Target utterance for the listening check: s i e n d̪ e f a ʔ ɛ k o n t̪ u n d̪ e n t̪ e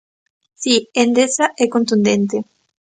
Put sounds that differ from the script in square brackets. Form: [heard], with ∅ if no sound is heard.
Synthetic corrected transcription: s i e n d̪ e [s] a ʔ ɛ k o n t̪ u n d̪ e n t̪ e